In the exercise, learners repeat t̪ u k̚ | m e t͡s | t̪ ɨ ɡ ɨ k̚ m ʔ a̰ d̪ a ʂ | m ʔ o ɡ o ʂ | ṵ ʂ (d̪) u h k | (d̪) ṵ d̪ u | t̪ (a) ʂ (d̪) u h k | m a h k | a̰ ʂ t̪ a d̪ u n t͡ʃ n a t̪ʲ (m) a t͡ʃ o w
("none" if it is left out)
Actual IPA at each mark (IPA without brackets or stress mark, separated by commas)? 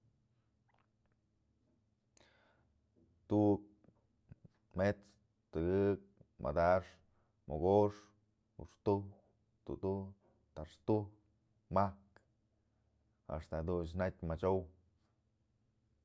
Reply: t̪, t̪, a, t̪, m